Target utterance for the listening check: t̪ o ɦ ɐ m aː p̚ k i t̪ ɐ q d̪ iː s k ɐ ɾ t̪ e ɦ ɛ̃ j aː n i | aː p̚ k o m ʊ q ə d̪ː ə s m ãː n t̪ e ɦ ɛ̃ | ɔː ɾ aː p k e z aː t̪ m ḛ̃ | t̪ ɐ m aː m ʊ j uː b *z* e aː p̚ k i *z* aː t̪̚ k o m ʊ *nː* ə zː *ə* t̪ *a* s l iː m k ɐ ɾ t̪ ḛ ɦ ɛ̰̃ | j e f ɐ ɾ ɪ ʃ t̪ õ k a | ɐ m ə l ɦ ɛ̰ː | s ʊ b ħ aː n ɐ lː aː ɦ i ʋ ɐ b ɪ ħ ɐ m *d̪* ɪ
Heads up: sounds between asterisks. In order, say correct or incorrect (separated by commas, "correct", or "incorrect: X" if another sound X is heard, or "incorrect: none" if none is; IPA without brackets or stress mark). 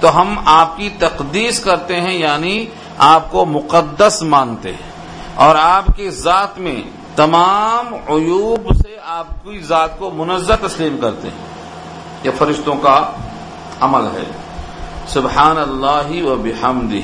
incorrect: s, correct, incorrect: n, incorrect: a, incorrect: ɐ, correct